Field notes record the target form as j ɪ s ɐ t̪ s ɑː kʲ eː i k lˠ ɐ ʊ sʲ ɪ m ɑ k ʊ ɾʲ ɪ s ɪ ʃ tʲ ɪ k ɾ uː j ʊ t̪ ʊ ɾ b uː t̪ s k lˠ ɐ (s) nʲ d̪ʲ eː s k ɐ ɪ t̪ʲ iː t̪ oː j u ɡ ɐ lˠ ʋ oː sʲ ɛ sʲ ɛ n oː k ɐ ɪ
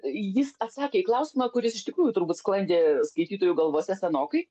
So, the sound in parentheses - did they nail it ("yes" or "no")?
no